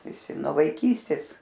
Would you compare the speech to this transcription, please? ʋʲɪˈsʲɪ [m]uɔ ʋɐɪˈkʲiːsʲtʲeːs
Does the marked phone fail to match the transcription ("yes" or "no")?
yes